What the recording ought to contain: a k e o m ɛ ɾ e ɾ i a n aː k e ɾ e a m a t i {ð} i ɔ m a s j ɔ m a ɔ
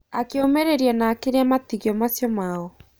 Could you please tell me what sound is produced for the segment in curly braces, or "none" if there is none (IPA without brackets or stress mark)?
ɣ